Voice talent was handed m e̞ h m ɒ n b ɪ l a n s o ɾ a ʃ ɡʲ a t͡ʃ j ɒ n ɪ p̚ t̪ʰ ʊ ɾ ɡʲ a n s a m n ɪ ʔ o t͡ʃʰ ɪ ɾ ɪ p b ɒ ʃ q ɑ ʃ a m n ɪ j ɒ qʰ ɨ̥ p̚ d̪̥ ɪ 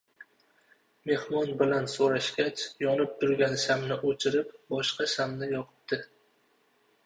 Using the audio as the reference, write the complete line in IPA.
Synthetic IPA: m e̞ h m ɒ n b ɪ l a n s o ɾ a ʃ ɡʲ a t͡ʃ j ɒ n ɪ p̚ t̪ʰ ʊ ɾ ɡʲ a n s a m n ɪ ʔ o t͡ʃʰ ɪ ɾ ɪ p b ɒ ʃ q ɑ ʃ a m n ɪ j ɒ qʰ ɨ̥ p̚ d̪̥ ɪ